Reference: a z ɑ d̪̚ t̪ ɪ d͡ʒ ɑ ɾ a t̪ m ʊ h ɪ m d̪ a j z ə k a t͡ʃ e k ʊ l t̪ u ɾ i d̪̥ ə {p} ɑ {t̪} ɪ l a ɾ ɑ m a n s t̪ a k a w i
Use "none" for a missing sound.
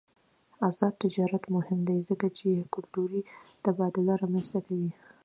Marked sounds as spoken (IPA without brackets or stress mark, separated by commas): b, d̪